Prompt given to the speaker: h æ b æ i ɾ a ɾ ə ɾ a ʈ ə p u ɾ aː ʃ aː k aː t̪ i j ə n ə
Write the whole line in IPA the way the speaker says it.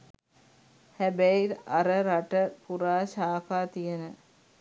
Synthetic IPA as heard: h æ b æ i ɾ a ɾ ə ɾ a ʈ ə p u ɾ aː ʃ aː k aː t̪ i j ə n ə

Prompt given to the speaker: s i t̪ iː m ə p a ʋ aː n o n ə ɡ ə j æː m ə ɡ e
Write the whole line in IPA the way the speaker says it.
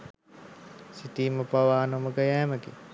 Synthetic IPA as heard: s i t̪ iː m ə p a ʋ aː n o m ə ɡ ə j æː m ə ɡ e

